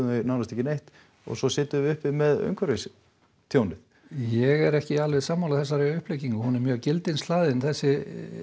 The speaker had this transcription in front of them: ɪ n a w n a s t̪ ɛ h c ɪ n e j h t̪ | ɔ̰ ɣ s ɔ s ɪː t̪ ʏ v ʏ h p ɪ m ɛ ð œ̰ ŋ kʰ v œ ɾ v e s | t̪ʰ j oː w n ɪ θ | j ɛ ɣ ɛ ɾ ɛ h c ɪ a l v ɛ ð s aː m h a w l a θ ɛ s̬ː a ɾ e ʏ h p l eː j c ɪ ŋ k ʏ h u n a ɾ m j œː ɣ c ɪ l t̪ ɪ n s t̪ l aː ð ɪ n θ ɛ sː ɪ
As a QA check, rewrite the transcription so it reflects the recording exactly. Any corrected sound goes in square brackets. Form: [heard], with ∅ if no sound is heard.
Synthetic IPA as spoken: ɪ n a w n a s t̪ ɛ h c ɪ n e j h t̪ | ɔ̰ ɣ s ɔ s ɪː t̪ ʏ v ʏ h p ɪ m ɛ ð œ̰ ŋ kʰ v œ ɾ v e s | t̪ʰ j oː w n ɪ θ | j ɛ ɣ ɛ ɾ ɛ h c ɪ a l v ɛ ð s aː m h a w l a θ ɛ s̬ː a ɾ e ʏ h p l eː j c [i] ŋ k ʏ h u n [ɛ] ɾ m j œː ɣ c ɪ l t̪ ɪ n s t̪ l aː ð ɪ n θ ɛ sː ɪ